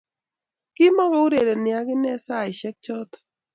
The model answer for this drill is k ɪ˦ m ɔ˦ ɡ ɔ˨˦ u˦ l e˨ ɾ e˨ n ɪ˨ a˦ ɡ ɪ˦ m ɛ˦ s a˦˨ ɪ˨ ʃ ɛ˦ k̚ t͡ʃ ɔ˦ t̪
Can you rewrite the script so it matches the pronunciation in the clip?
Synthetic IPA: k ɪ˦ m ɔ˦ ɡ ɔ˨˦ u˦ ɾ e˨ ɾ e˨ n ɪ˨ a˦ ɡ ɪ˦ n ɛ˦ s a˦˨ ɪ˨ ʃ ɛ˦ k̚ t͡ʃ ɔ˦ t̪